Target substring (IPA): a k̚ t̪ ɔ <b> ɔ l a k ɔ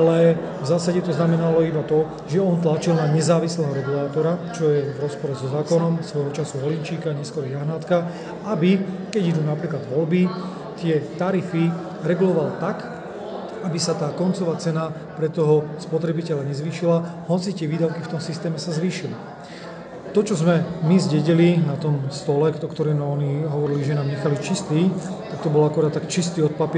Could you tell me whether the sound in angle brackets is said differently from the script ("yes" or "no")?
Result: no